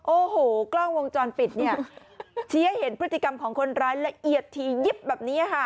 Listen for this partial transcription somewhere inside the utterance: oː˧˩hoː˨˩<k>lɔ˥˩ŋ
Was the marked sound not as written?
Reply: no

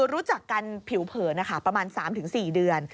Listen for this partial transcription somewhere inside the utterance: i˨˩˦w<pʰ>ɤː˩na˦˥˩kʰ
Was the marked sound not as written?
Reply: no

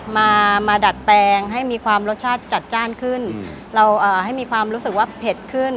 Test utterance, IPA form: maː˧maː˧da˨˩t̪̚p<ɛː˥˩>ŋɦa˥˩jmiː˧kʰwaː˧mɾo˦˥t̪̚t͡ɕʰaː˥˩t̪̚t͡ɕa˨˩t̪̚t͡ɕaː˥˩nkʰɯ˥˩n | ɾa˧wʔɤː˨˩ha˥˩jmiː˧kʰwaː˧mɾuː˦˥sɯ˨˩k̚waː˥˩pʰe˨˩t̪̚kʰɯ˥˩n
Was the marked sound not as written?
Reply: yes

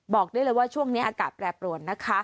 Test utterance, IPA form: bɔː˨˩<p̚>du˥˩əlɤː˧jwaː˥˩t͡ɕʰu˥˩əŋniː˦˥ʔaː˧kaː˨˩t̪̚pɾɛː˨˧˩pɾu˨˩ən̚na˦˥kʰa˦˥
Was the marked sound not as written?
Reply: yes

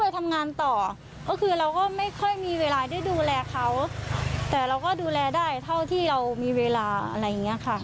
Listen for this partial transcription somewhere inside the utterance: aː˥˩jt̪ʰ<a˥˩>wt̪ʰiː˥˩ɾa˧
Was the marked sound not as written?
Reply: no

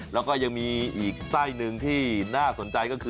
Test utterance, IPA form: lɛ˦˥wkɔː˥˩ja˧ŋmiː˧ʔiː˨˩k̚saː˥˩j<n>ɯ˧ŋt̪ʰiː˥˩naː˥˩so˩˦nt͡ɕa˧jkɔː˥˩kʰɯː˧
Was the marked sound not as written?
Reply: no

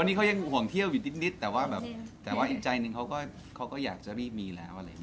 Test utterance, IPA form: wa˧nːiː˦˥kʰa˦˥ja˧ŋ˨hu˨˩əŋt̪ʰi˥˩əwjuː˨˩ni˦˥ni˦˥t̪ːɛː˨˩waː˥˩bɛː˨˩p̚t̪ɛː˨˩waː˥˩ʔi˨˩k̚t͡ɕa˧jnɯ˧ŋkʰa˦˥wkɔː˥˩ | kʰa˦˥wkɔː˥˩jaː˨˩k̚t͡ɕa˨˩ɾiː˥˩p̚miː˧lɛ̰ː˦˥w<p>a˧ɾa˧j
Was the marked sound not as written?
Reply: yes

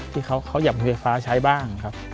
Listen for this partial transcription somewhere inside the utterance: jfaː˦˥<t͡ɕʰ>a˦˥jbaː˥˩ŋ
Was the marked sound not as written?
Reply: no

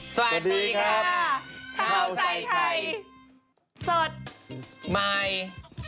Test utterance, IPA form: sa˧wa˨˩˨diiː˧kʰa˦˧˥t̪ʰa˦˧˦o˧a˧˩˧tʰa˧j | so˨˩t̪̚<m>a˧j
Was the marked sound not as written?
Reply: no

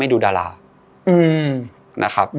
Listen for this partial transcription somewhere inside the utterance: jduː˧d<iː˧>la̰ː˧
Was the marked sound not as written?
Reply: yes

